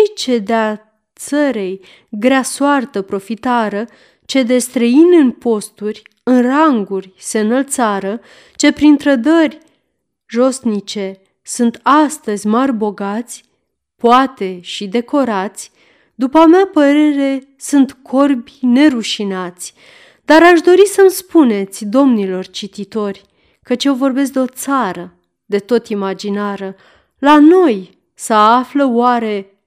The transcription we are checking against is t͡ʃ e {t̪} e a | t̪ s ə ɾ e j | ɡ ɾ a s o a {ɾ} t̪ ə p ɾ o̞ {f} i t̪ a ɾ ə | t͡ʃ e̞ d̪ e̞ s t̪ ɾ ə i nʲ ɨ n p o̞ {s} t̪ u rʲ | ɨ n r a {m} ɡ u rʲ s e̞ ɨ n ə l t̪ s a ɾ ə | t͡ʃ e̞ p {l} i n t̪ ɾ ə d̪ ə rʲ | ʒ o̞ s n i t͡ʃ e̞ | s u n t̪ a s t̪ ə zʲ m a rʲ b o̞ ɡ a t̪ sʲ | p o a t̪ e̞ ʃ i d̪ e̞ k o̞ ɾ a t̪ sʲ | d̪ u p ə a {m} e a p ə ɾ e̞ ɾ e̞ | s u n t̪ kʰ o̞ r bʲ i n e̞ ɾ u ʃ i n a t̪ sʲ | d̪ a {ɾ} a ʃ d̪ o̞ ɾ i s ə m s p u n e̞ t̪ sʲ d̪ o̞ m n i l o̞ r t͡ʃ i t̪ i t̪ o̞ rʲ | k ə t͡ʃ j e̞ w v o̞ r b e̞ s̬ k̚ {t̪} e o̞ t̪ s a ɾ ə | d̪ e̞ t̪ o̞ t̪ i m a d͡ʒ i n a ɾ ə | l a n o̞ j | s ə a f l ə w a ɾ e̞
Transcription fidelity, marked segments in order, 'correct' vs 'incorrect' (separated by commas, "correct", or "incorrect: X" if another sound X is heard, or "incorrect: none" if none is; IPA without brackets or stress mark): incorrect: d̪, incorrect: r, correct, correct, incorrect: ŋ, incorrect: ɾ, correct, correct, incorrect: d̪